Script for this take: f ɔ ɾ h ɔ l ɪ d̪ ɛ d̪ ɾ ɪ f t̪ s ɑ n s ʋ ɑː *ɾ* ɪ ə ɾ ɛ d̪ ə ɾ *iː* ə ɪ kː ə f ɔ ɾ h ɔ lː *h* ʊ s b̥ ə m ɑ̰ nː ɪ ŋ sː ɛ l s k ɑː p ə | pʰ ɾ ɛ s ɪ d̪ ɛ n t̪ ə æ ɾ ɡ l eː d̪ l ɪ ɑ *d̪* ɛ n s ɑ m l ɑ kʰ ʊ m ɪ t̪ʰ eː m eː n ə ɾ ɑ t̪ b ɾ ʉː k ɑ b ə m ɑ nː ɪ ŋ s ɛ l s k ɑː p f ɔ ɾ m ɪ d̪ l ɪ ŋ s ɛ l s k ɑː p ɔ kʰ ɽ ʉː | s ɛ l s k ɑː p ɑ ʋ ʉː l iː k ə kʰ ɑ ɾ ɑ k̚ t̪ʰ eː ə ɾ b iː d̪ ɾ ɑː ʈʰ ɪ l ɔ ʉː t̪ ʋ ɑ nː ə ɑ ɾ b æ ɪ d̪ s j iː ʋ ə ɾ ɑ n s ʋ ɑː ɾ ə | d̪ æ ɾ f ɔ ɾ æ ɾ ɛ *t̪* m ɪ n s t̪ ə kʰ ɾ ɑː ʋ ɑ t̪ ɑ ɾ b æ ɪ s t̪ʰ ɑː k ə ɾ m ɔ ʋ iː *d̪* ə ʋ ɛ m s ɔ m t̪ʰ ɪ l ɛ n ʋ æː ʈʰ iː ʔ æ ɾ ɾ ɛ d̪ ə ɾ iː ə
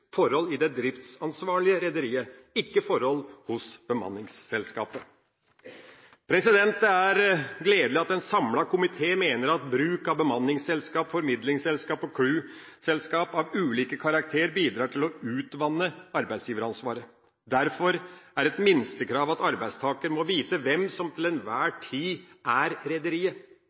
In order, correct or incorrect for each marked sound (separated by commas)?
incorrect, correct, correct, incorrect, correct, incorrect